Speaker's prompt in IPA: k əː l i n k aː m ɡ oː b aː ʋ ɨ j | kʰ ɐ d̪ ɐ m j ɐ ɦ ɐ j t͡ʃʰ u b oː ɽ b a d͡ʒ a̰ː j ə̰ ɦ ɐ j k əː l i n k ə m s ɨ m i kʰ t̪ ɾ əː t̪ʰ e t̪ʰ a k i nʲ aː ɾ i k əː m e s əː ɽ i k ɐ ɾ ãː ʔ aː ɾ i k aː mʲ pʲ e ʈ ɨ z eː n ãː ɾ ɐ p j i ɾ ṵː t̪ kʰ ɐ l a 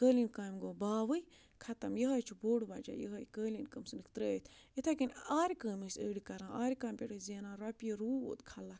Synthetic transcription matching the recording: k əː l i n k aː m ɡ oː b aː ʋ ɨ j | kʰ ɐ t̪ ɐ m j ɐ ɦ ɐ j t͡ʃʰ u b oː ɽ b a d͡ʒ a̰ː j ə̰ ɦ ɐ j k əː l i n k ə m s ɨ n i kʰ t̪ ɾ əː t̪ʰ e t̪ʰ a k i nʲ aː ɾ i k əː m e s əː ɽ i k ɐ ɾ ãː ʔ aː ɾ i k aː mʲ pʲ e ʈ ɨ z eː n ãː ɾ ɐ p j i ɾ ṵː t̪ kʰ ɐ l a